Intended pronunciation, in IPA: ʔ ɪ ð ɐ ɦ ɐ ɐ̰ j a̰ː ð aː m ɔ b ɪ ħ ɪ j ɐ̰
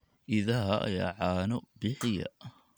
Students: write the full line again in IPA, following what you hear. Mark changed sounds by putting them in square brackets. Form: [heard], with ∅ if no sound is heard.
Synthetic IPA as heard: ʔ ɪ ð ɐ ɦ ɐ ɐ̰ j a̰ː [ʕ] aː [n] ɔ b ɪ ħ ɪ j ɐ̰